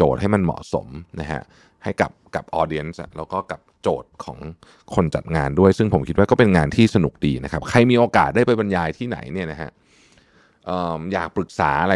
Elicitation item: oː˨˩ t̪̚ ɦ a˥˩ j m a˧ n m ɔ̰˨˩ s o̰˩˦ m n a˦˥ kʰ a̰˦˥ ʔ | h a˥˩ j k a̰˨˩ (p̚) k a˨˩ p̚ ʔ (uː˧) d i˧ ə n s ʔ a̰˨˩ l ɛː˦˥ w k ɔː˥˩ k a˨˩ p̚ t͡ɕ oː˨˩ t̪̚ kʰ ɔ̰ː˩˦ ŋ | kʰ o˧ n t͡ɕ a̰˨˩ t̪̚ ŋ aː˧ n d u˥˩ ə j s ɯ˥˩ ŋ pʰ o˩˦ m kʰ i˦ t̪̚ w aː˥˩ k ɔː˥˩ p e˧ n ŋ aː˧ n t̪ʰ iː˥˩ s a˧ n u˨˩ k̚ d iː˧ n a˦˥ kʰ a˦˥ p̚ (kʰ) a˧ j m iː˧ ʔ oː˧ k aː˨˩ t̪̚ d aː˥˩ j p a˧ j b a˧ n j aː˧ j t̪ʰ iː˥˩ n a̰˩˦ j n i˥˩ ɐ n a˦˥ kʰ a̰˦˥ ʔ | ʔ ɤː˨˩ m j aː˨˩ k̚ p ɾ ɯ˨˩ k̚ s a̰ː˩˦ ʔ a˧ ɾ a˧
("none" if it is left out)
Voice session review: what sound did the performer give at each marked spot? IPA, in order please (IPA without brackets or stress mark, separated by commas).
p̚, ɔː˧, kʰ